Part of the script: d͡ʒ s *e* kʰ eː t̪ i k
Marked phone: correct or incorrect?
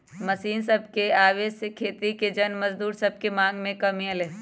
correct